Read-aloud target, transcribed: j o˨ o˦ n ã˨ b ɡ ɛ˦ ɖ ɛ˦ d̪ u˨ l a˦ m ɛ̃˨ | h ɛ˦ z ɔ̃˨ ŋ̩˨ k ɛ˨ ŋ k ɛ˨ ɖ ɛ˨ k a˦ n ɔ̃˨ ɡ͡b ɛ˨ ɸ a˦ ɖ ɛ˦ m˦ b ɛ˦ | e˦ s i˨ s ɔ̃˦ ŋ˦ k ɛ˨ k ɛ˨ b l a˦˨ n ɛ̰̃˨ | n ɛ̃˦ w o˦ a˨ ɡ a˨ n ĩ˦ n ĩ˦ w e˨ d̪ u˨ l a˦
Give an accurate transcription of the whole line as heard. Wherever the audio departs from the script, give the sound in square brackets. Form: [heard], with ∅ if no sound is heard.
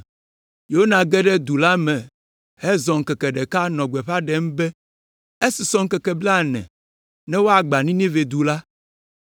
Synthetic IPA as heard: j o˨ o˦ n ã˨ [∅] ɡ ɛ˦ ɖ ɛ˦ d̪ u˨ l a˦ m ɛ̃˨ | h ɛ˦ z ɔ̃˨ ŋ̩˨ k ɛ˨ [∅] k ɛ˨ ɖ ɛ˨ k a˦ n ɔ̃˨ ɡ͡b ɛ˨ ɸ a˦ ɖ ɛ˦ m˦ b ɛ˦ | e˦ s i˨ s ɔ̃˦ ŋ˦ k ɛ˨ k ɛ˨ b l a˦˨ n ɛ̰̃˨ | n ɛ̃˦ w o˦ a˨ [ɡ͡b] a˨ n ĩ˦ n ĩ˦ [v] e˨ d̪ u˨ l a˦